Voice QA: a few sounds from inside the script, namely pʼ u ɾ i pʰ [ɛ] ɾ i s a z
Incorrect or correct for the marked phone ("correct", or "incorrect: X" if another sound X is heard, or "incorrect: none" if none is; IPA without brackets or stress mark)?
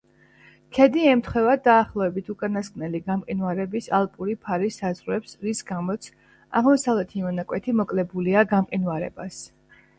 incorrect: a